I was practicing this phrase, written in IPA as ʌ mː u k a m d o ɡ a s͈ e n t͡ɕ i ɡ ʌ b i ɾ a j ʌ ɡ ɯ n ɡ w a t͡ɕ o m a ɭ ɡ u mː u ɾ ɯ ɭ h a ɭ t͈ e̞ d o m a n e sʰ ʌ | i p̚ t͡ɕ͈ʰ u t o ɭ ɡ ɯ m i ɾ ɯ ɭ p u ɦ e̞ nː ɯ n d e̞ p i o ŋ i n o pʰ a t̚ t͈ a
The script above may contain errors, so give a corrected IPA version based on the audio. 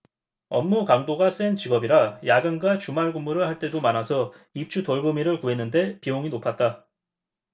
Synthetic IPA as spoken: ʌ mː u k a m d o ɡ a s͈ e n t͡ɕ i ɡ ʌ b i ɾ a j a ɡ ɯ n ɡ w a t͡ɕ u m a ɭ ɡ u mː u ɾ ɯ ɭ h a ɭ t͈ e̞ d o m a n a sʰ ʌ | i p̚ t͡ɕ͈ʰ u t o ɭ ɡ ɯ m i ɾ ɯ ɭ k u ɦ e̞ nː ɯ n d e̞ p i o ŋ i n o pʰ a t̚ t͈ a

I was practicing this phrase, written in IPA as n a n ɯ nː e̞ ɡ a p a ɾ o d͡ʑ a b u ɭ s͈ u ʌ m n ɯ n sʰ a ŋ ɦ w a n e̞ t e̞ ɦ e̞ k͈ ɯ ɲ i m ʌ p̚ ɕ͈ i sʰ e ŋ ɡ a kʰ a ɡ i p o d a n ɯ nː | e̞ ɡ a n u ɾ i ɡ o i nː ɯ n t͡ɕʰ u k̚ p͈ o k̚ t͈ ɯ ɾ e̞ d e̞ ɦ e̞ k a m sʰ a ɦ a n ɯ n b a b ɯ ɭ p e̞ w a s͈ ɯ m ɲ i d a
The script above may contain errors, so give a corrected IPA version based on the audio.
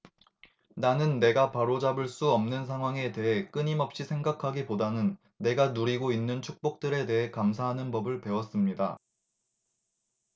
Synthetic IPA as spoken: n a n ɯ nː e̞ ɡ a p a ɾ o d͡ʑ a b ɯ ɭ s͈ u ʌ m n ɯ n sʰ a ŋ ɦ w a ŋ e̞ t e̞ ɦ e̞ k͈ ɯ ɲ i m ʌ p̚ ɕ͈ i sʰ e ŋ ɡ a kʰ a ɡ i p o d a n ɯ nː | e̞ ɡ a n u ɾ i ɡ o i nː ɯ n t͡ɕʰ u k̚ p͈ o k̚ t͈ ɯ ɾ e̞ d e̞ ɦ e̞ k a m sʰ a ɦ a n ɯ n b ʌ b ɯ ɭ p e̞ w ʌ s͈ ɯ m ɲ i d a

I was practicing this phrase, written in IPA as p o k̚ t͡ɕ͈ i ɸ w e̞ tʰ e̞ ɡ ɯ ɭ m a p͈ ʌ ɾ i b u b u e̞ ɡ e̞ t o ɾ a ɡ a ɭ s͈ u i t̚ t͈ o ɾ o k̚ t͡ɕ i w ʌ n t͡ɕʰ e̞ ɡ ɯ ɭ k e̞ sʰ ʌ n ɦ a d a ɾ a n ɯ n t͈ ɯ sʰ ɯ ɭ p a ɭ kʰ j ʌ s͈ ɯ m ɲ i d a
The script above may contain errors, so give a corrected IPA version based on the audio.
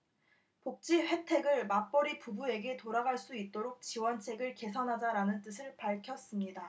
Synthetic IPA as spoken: p o k̚ t͡ɕ͈ i ɸ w e̞ tʰ e̞ ɡ ɯ ɭ m a p͈ ʌ ɾ i p u b u e̞ ɡ e̞ t o ɾ a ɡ a ɭ s͈ u i t̚ t͈ o ɾ o k̚ t͡ɕ i w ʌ n t͡ɕʰ e̞ ɡ ɯ ɭ k e̞ sʰ ʌ n ɦ a d͡ʑ a ɾ a n ɯ n t͈ ɯ sʰ ɯ ɭ p a ɭ kʰ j ʌ s͈ ɯ m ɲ i d a

